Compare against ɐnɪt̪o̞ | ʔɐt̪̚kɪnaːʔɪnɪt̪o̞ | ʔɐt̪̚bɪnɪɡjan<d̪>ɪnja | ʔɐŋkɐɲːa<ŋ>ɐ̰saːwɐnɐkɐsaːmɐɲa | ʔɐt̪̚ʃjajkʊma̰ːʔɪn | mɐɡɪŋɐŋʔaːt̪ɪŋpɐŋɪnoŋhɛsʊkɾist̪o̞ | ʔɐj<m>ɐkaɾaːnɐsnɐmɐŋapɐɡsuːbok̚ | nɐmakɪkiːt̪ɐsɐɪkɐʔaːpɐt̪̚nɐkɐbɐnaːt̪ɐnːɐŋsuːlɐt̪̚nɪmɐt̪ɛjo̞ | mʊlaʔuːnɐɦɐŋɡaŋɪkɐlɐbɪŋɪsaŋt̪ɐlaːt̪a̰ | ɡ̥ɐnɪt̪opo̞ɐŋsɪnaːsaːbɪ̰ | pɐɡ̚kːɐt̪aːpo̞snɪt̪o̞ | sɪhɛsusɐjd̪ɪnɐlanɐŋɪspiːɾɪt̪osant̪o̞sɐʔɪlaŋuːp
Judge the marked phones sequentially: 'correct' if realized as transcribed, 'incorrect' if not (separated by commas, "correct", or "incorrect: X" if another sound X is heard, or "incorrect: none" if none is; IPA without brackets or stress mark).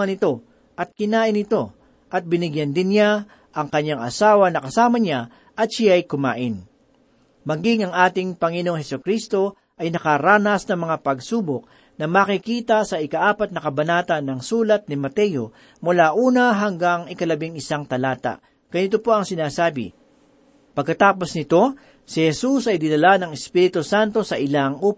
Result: correct, correct, incorrect: n